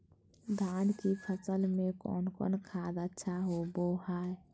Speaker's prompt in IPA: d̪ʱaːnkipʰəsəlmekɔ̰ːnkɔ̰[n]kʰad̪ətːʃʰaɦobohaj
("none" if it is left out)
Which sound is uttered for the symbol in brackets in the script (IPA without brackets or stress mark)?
n